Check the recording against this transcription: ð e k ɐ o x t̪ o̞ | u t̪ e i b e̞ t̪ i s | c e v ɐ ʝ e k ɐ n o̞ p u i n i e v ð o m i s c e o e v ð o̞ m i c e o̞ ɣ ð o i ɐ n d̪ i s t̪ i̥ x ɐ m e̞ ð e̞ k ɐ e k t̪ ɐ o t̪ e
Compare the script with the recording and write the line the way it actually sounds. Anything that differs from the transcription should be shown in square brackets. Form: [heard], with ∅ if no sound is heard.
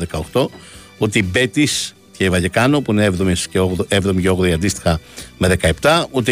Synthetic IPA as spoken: ð e k ɐ o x t̪ o̞ | u t̪ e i b e̞ t̪ i s | c e v ɐ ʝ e k ɐ n o̞ p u i n [e] e v ð o m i s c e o e v ð o̞ m i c e o̞ ɣ ð o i ɐ n d̪ i s t̪ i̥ x ɐ m e̞ ð e̞ k ɐ e [p] t̪ ɐ [u] t̪ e